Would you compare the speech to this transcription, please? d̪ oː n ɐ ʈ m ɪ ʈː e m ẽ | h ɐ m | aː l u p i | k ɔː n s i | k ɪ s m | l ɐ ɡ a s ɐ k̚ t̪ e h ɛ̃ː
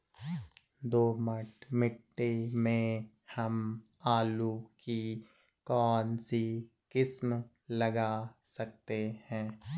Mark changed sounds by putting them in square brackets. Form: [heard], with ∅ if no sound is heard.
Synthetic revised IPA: d̪ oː [m] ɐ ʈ m ɪ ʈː e m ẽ | h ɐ m | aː l u [k] i | k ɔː n s i | k ɪ s m | l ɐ ɡ a s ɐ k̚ t̪ e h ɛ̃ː